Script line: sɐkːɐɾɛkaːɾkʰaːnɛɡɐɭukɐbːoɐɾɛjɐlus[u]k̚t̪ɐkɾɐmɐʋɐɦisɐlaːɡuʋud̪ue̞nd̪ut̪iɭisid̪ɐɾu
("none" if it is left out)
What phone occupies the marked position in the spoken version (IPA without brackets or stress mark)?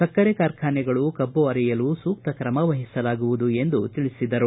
uː